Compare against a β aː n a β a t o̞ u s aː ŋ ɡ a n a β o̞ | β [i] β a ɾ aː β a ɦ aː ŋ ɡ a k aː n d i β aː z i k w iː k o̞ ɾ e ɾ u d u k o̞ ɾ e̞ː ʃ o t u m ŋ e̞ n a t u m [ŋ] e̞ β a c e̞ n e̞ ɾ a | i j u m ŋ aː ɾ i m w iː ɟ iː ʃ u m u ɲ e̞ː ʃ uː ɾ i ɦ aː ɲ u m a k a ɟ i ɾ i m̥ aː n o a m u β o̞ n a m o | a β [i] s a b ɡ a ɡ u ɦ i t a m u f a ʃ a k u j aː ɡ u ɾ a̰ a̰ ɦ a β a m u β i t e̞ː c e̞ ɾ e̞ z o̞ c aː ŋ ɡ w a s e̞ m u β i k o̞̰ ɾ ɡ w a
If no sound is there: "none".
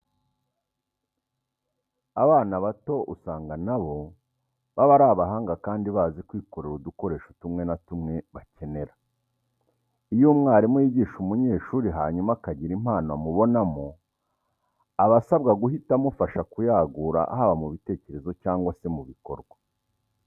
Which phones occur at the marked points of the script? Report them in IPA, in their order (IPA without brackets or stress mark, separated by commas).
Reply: a, ŋ, a